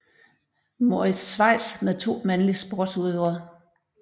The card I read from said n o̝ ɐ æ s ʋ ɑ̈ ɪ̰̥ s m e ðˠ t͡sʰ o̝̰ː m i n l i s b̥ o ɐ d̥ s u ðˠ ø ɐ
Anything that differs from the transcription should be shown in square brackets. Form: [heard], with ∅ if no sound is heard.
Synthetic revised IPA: [m] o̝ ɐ [i] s ʋ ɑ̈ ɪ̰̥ s m e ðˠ t͡sʰ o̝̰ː m [æ] n l i s b̥ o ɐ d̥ s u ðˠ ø ɐ